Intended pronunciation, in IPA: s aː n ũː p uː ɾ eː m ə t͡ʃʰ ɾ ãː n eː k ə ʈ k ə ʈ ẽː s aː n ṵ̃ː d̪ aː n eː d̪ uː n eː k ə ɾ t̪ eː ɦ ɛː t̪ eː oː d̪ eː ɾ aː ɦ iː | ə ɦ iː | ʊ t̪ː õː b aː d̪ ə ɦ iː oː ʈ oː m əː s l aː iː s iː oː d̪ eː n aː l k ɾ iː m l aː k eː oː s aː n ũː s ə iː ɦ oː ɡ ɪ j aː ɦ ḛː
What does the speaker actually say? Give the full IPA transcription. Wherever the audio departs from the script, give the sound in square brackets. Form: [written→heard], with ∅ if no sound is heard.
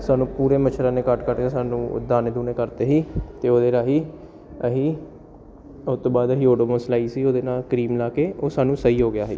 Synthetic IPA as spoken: s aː n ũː p uː ɾ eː m ə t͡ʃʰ ɾ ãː n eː k ə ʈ k ə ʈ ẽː s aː n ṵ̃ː d̪ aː n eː d̪ uː n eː k ə ɾ t̪ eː ɦ [ɛː→iː] t̪ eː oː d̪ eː ɾ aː ɦ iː | ə ɦ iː | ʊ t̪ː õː b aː d̪ ə ɦ iː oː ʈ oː m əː s l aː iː s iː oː d̪ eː n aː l k ɾ iː m l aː k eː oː s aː n ũː s ə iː ɦ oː ɡ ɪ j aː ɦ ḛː